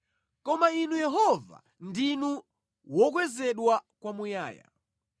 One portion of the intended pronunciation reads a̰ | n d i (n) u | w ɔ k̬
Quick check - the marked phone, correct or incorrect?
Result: correct